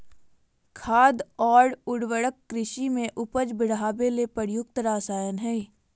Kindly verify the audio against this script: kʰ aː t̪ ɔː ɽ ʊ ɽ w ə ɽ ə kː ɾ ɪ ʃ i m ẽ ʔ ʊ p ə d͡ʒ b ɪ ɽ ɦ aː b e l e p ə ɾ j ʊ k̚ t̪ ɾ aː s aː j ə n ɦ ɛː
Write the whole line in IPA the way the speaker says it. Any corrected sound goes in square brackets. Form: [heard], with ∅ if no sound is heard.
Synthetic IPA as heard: kʰ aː [d̪] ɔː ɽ ʊ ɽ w ə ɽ ə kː ɾ ɪ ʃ i m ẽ ʔ ʊ p ə d͡ʒ b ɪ ɽ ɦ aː b e l e p ə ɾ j ʊ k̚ t̪ ɾ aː s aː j ə n ɦ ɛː